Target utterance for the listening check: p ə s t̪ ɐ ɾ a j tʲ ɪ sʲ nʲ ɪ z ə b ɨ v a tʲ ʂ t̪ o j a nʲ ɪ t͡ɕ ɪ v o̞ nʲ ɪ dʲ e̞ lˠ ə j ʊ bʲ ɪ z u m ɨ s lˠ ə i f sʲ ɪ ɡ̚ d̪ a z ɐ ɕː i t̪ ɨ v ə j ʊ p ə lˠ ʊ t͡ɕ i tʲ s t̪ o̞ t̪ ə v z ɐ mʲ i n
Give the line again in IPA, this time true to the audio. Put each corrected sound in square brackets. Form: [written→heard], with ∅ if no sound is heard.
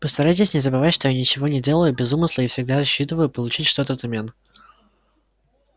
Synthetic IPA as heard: p ə s t̪ ɐ ɾ a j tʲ ɪ sʲ nʲ ɪ z ə b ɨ v a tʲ ʂ t̪ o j a nʲ ɪ t͡ɕ ɪ v o̞ nʲ ɪ dʲ e̞ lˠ ə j ʊ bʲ ɪ z u m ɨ s lˠ ə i f sʲ ɪ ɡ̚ d̪ a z ɐ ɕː i t̪ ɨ v ə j ʊ p ə lˠ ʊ t͡ɕ i tʲ [s→ʂ] t̪ o̞ t̪ ə v z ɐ mʲ [i→e] n